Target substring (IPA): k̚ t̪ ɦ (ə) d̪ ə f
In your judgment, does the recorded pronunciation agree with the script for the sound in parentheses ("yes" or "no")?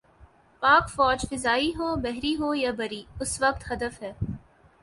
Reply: no